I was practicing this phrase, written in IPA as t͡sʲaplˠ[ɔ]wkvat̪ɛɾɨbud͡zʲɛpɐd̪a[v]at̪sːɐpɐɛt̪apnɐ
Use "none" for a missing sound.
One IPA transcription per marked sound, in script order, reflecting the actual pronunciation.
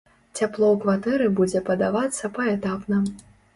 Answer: ɔ, v

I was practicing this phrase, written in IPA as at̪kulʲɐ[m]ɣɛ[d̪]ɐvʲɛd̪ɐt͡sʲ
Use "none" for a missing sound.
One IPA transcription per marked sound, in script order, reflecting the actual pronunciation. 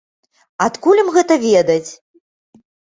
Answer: m, t̪

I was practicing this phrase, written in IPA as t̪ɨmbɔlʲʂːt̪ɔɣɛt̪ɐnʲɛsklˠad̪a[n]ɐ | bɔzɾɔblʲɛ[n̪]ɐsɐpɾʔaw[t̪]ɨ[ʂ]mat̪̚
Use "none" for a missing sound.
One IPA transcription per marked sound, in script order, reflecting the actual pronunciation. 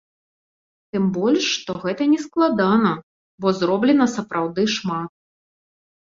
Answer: n, n̪, d̪, ʂ

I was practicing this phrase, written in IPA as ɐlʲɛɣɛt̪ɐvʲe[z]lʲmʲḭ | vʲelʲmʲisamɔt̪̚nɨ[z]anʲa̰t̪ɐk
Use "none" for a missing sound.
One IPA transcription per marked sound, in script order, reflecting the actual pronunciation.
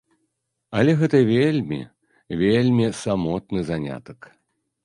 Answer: none, z

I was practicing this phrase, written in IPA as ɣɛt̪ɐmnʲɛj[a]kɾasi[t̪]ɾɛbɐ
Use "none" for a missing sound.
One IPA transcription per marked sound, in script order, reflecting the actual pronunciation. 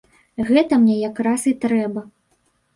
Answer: a, t̪

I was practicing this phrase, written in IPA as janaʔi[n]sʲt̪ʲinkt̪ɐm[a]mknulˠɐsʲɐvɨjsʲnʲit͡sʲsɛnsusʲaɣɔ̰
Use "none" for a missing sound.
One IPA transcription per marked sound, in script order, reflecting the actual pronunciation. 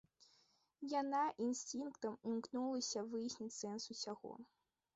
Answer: n, i

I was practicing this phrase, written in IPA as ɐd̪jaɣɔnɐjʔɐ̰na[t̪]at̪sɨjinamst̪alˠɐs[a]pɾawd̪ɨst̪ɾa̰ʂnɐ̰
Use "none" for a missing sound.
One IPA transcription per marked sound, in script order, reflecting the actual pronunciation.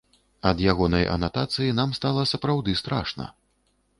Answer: t̪, ɐ

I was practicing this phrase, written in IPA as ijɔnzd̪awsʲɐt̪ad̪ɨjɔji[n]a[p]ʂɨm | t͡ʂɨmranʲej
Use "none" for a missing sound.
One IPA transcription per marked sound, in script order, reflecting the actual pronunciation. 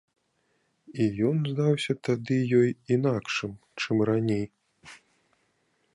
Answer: n, k

